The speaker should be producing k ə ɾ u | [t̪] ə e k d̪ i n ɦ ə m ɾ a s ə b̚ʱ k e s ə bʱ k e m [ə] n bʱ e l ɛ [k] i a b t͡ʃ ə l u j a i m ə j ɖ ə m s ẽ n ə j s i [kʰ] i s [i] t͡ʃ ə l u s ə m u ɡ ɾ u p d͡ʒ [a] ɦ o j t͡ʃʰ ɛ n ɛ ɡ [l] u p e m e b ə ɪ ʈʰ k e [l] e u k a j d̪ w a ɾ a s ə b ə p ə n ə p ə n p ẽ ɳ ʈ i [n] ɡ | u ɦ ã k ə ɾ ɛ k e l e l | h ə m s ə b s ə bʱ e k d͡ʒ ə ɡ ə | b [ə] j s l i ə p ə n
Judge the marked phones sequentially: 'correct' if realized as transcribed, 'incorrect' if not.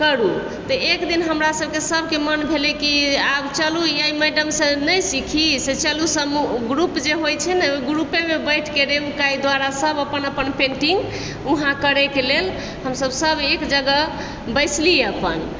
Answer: correct, correct, correct, correct, incorrect: e, incorrect: e, incorrect: ɾ, incorrect: ɾ, incorrect: ŋ, correct

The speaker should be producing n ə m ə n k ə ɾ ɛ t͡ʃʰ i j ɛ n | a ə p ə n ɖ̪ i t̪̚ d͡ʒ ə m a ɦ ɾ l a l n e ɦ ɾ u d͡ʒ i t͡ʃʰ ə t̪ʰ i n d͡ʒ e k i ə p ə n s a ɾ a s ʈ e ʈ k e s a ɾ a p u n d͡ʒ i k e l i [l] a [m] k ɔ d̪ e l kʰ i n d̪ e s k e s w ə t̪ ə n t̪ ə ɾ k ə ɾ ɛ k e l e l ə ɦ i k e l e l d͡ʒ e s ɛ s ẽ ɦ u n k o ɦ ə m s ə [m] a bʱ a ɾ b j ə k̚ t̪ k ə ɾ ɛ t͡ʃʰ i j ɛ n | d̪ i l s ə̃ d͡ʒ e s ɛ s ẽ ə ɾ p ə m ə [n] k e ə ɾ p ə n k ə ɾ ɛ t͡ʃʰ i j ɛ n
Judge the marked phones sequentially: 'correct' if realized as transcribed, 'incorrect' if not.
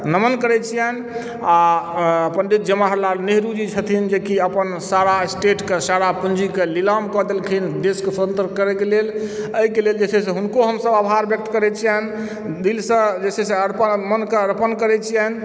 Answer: correct, correct, incorrect: b, correct

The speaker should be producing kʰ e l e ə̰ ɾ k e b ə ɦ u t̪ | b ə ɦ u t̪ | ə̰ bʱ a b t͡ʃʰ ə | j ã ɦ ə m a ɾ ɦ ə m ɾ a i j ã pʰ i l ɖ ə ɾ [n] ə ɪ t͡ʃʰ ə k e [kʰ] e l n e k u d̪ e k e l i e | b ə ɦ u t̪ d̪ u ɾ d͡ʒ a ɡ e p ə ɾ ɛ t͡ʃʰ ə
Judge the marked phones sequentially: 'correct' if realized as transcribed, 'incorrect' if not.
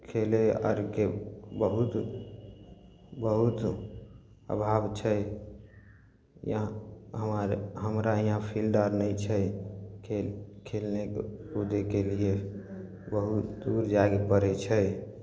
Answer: correct, correct

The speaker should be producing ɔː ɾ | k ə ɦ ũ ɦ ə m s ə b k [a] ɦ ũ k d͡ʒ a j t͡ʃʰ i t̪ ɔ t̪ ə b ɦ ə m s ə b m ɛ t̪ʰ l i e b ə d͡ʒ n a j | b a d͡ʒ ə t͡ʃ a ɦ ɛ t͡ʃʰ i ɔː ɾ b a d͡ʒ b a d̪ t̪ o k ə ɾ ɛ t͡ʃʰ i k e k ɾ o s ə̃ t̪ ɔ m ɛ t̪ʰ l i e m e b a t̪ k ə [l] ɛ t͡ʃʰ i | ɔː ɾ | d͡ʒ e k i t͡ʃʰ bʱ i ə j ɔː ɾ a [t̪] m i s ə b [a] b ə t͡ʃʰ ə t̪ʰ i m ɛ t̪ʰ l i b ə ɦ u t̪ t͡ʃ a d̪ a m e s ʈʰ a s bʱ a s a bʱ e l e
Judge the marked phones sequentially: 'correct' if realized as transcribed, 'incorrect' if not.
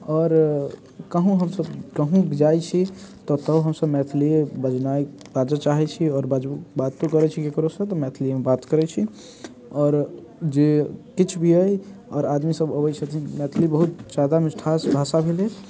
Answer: incorrect: ə, incorrect: ɾ, incorrect: d̪, incorrect: ə

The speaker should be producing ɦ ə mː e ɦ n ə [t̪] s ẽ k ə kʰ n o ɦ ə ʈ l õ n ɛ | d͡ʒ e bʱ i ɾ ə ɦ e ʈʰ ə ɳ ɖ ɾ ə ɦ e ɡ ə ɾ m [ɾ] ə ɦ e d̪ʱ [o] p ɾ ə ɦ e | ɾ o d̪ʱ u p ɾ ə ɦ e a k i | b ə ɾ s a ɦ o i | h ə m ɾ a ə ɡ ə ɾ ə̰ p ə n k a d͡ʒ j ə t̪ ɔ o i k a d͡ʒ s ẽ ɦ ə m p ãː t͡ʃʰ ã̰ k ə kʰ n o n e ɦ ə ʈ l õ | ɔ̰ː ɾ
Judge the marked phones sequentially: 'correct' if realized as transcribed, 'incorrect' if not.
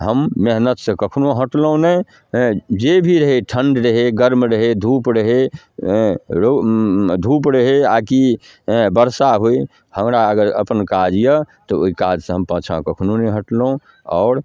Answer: correct, correct, incorrect: u

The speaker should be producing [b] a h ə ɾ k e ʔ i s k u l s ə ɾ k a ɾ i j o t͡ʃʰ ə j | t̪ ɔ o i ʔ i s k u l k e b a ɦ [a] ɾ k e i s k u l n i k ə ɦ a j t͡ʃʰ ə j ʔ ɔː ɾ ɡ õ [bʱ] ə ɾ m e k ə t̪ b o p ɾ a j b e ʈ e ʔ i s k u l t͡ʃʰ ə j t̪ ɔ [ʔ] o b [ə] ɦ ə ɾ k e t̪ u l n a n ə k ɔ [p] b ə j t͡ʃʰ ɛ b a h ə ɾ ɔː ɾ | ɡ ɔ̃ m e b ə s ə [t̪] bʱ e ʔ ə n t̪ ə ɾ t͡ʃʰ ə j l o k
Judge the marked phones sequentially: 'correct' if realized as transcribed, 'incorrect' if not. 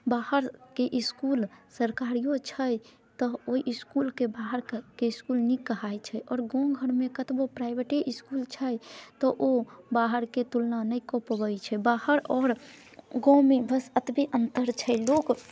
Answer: correct, incorrect: ə, incorrect: ɡʱ, correct, incorrect: a, correct, correct

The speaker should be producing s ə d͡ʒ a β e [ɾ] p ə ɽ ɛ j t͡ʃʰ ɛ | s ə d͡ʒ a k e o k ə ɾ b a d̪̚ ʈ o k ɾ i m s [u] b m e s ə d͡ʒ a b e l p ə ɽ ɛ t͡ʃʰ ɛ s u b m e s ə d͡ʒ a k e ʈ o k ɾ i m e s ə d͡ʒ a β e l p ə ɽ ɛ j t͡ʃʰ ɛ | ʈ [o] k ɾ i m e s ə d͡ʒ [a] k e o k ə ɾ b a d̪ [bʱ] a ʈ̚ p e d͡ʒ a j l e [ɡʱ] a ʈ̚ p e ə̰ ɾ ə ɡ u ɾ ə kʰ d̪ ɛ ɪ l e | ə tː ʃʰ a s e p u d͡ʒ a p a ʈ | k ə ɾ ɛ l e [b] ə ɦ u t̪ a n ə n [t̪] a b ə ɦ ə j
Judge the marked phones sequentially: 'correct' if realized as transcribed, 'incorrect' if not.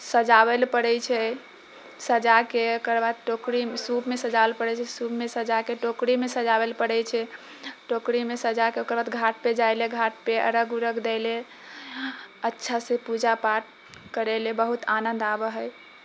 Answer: incorrect: l, correct, correct, correct, incorrect: ɡʱ, correct, correct, incorrect: d̪

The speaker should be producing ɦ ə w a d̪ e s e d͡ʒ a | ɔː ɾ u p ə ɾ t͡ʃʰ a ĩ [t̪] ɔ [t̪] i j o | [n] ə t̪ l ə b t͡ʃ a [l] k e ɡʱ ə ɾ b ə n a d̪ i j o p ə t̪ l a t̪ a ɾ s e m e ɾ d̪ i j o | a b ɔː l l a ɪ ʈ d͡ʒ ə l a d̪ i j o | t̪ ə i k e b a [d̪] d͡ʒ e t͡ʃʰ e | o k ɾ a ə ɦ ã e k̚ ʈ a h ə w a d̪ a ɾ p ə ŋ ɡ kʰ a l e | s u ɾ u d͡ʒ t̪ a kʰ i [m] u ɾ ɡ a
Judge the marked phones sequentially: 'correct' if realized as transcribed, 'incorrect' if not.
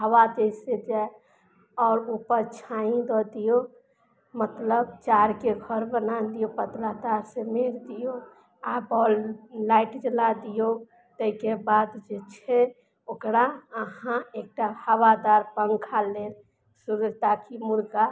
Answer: incorrect: d̪, incorrect: d̪, incorrect: m, incorrect: ɾ, correct, correct

